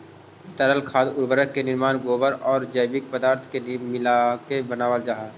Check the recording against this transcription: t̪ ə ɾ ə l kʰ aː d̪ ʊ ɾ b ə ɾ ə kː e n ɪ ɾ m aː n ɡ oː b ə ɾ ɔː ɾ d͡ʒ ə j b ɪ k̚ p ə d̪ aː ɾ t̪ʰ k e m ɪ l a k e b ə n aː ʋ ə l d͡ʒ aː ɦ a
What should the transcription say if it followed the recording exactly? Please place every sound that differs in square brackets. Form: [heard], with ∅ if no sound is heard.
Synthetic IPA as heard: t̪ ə ɾ ə l kʰ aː d̪ ʊ ɾ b ə ɾ ə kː e n ɪ ɾ m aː n ɡ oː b ə ɾ ɔː ɾ d͡ʒ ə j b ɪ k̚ p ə d̪ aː ɾ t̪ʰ k e m ɪ l a k e b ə n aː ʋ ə l d͡ʒ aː ɦ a